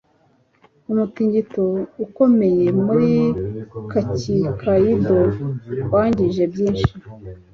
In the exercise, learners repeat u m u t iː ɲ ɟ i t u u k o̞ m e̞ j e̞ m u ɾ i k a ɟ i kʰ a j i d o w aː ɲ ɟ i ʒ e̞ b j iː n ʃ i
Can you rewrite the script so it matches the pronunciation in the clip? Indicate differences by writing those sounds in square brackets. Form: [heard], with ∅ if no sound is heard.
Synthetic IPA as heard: u m u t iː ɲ ɟ i t [o] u k o̞ m e̞ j e̞ m u ɾ i k a [c] i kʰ a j i d o w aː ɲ ɟ i ʒ e̞ b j iː n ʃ i